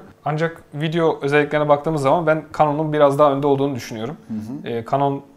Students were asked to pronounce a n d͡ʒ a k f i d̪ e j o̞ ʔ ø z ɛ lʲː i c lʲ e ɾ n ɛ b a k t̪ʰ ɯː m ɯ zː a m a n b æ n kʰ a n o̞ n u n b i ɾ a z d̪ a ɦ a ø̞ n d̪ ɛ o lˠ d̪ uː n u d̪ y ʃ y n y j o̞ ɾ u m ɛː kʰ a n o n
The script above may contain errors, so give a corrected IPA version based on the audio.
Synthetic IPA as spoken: a n d͡ʒ a k v i d̪ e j o̞ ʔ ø z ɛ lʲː i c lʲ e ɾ n ɛ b a k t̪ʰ ɯː m ɯ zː a m a n b æ n kʰ a n o̞ n u n b i ɾ a z d̪ a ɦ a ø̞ n d̪ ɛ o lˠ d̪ uː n u d̪ y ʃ y n y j o̞ ɾ u m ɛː kʰ a n o n